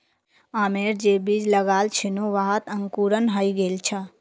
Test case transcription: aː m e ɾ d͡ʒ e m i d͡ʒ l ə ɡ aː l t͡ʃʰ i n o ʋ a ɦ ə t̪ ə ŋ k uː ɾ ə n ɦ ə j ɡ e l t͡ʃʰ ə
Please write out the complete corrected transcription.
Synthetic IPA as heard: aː m e ɾ d͡ʒ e b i d͡ʒ l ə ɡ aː l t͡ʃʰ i n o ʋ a ɦ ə t̪ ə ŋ k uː ɾ ə n ɦ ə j ɡ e l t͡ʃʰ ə